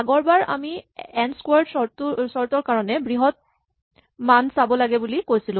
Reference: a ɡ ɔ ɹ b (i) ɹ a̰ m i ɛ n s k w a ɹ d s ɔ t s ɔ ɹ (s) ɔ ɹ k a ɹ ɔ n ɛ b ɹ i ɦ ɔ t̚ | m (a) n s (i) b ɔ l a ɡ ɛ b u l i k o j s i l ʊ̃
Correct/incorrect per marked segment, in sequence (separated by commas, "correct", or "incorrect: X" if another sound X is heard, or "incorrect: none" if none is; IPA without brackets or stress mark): incorrect: a, incorrect: t, correct, incorrect: a